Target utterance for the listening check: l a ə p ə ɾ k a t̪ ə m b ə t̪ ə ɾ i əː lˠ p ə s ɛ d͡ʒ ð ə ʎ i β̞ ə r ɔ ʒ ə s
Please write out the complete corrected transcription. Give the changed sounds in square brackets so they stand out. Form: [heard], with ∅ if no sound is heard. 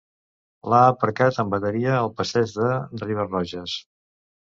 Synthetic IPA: l a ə p ə ɾ k a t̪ ə m b ə t̪ ə ɾ i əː lˠ p ə s ɛ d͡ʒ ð ə [r] i β̞ ə r ɔ ʒ ə s